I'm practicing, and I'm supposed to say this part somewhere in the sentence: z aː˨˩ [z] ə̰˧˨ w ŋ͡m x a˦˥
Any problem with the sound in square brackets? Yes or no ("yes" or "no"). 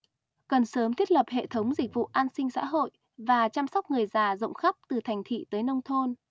no